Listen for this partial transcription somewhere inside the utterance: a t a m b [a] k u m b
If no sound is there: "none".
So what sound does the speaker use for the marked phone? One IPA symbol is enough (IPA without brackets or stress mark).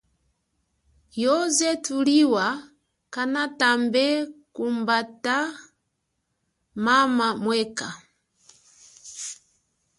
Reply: ɛ